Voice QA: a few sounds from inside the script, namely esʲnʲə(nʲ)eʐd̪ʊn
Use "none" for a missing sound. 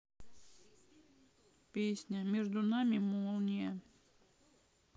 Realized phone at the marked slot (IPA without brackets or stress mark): mʲ